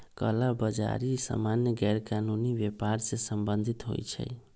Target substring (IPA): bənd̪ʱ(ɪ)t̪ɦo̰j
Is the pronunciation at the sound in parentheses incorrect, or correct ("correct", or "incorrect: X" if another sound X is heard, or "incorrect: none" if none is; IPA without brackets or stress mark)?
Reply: incorrect: i